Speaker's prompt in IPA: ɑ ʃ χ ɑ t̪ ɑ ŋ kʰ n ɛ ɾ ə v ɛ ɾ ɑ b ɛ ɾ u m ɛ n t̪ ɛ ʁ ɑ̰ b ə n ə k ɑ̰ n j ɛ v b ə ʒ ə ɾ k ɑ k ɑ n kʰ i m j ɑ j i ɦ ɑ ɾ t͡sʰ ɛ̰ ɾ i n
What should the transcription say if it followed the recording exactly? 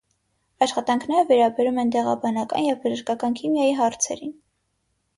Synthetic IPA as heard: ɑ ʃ χ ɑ t̪ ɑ ŋ kʰ n ɛ ɾ ə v ɛ ɾ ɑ b ɛ ɾ u m ɛ n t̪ ɛ ʁ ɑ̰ b ɑ n ɑ k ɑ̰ n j ɛ v b ə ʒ ə ɾ k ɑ k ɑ n kʰ i m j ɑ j i ɦ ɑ ɾ t͡sʰ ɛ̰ ɾ i n